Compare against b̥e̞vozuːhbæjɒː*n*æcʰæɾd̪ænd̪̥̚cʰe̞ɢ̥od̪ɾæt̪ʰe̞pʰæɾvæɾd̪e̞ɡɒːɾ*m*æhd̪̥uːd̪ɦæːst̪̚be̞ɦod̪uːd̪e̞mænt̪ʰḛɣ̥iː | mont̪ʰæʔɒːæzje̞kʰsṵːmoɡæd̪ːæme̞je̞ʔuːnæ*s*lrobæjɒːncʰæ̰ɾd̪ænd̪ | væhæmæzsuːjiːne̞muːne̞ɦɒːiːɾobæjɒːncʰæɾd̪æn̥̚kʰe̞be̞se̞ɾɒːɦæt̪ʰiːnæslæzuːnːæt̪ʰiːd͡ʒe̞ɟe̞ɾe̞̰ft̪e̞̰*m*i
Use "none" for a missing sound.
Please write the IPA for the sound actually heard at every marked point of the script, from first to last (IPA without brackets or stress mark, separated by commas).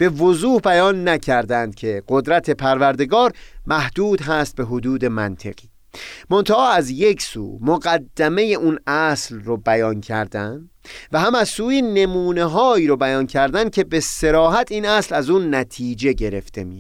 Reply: nː, m, s, m